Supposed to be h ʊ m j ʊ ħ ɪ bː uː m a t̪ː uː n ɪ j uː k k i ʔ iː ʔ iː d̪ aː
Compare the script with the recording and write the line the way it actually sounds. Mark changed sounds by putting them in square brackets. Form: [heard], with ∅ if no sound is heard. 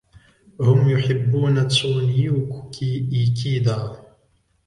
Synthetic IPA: h ʊ m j ʊ ħ ɪ bː uː [n] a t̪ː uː n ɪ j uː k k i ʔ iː [k] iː d̪ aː